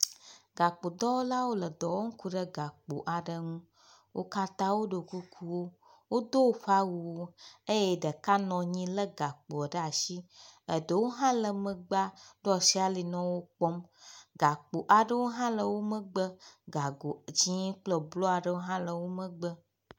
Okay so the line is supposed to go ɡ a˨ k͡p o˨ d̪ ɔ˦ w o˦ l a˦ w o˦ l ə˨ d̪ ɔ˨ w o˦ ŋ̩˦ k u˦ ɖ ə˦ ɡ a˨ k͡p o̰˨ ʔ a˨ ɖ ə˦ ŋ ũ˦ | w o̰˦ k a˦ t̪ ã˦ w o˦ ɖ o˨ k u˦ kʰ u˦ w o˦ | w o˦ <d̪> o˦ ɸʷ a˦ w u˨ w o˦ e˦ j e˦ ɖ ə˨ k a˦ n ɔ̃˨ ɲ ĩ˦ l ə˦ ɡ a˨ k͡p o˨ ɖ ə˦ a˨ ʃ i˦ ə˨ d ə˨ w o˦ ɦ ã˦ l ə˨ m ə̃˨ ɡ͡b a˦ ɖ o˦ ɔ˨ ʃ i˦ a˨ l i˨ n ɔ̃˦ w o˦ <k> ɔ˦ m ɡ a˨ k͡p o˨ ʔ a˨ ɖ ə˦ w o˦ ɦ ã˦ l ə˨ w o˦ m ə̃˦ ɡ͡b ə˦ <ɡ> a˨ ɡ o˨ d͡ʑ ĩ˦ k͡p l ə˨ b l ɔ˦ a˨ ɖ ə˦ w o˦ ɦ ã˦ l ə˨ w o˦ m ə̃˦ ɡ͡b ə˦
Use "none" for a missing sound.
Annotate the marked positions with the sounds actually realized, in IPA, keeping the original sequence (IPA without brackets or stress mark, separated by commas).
d̪, k͡p, ɡ